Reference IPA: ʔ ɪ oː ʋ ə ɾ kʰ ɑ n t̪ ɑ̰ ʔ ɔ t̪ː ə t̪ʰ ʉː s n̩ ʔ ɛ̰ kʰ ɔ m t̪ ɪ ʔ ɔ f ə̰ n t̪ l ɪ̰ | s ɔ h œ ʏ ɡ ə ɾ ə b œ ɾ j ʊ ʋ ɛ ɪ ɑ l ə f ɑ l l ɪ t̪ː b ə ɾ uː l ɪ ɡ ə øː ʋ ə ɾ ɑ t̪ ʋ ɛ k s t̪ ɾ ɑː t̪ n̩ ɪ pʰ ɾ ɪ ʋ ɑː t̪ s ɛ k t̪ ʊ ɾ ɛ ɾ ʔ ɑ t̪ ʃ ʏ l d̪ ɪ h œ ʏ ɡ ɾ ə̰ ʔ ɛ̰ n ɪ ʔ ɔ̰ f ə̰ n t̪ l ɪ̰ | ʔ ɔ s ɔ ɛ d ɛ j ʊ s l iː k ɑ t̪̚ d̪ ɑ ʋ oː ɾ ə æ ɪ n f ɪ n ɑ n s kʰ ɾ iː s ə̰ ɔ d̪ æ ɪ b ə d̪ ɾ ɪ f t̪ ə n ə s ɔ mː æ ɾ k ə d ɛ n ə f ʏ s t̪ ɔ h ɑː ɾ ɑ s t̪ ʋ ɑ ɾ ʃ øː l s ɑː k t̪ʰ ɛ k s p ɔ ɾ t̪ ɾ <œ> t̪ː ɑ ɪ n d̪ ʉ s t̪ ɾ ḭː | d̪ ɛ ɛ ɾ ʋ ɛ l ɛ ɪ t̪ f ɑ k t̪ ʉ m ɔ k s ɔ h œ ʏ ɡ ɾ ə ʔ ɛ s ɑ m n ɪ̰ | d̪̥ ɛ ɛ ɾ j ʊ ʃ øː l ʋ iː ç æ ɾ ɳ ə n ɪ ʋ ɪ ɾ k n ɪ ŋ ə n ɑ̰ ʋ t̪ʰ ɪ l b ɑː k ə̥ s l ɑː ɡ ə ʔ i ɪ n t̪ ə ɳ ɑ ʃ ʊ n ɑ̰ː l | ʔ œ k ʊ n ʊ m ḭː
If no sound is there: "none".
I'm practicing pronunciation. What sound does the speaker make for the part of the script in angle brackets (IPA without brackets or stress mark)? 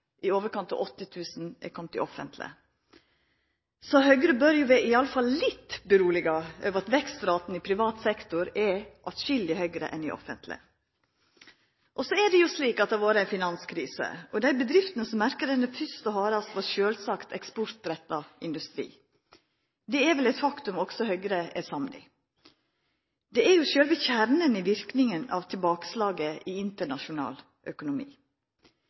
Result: ɛ